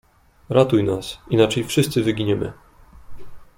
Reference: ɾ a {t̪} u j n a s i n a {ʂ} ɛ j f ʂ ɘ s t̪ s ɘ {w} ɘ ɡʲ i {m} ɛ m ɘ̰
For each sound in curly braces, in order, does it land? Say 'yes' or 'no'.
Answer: yes, no, no, no

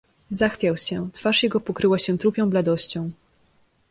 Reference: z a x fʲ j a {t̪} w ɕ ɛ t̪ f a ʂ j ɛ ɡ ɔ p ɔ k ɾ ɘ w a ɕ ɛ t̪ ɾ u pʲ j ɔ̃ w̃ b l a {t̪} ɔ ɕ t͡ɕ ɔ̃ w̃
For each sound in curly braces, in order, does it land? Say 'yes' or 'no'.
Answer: no, no

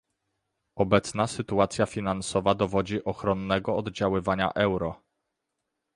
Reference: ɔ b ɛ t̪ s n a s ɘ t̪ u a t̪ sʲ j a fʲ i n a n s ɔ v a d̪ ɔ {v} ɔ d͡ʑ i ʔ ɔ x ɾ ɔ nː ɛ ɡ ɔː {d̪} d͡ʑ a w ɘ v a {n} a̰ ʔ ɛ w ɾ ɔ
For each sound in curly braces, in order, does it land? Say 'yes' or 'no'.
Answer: yes, yes, no

